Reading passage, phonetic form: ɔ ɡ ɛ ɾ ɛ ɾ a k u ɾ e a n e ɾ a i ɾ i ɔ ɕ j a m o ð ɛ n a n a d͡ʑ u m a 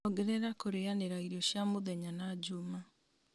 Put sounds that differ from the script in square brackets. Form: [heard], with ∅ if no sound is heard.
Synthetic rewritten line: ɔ ɡ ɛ ɾ ɛ ɾ a k [o] ɾ e a n e ɾ a i ɾ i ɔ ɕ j a m o ð ɛ [ɲ] a n a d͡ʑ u m a

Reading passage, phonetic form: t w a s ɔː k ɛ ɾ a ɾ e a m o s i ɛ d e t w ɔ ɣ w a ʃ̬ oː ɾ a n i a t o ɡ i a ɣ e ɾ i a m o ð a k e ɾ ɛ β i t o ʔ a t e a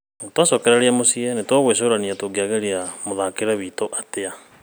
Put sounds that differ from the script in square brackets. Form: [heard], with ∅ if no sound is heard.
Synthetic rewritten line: t w a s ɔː k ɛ ɾ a ɾ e a m o s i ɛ [n] e t w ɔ ɣ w [e] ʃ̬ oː ɾ a n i a t o ɡ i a ɣ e ɾ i a m o ð a k e ɾ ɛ β i t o ʔ a t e a

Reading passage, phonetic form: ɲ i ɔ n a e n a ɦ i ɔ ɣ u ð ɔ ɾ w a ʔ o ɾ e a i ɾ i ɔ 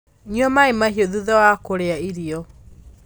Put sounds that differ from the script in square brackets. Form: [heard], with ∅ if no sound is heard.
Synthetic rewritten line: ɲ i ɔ [m] a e [m] a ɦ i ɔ [ð] u ð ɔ [∅] w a [k] o ɾ e a i ɾ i ɔ

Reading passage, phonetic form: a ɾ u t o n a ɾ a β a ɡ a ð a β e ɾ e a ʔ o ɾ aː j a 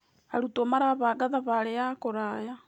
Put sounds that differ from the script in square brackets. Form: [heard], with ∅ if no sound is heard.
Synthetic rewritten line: a ɾ u t o [m] a ɾ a β a ɡ a ð a β [a] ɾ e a [k] o ɾ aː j a

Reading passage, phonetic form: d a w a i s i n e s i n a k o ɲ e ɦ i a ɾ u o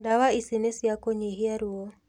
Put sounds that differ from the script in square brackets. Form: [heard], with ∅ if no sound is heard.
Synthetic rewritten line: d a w a i s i n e s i [∅] a k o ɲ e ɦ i a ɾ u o

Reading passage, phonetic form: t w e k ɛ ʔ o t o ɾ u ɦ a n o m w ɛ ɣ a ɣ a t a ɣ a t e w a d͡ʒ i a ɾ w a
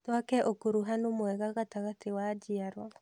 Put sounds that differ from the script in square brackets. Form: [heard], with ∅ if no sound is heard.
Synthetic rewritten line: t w [a] k ɛ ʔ o [k] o ɾ u ɦ a n o m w ɛ ɣ a ɣ a t a ɣ a t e w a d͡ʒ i a ɾ w a

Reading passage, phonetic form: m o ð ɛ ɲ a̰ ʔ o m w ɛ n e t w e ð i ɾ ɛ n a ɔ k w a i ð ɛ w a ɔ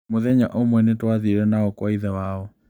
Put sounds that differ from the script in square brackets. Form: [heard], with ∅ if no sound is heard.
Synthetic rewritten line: m o ð ɛ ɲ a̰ ʔ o m w ɛ n e t w [a] ð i ɾ ɛ n a ɔ k w a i ð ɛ w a ɔ

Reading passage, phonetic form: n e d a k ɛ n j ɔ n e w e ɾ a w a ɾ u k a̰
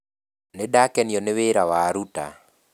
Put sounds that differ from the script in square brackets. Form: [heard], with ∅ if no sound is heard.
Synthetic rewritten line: n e d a k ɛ n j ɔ n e w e ɾ a w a ɾ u [t] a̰

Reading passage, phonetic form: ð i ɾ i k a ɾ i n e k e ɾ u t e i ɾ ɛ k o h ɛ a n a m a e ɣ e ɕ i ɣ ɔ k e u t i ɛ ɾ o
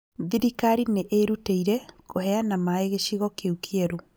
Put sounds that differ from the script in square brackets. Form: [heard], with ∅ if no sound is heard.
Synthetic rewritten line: ð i ɾ i k a ɾ i n e [ʔ] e ɾ u t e i ɾ ɛ k o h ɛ a n a m a e ɣ e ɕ i ɣ ɔ k e u [k] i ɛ ɾ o

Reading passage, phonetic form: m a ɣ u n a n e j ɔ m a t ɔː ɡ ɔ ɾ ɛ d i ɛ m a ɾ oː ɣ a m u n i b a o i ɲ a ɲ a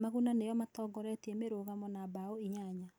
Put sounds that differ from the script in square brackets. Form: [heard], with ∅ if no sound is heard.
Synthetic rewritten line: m a ɣ u n a n e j ɔ m a t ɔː ɡ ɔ ɾ ɛ [t] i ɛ m [e] ɾ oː ɣ a m [ɔ] n [a] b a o i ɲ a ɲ a

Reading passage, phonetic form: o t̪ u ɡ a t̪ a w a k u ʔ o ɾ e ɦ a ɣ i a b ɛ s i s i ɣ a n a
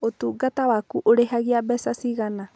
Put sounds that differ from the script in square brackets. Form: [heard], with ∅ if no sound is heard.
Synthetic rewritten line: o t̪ u ɡ a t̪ a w a k u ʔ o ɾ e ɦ a ɣ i a b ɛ s [a] s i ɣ a n a

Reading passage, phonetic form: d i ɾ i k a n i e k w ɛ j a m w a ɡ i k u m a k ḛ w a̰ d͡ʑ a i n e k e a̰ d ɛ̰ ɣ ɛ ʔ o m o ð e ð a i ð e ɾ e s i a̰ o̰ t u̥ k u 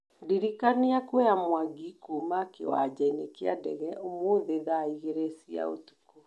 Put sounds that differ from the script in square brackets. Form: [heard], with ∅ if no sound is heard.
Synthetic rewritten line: d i ɾ i k a n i [a] k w ɛ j a m w a ɡ i k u m a k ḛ w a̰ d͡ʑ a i n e k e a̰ d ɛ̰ ɣ ɛ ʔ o m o ð e ð a i [ɣ] e ɾ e s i a̰ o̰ t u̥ k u

